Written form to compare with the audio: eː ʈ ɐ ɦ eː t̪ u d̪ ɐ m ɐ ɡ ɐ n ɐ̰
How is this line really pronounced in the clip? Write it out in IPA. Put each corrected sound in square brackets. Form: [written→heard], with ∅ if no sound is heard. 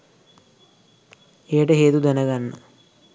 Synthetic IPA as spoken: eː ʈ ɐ ɦ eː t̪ u d̪ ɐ [m→n] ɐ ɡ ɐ [n→nː] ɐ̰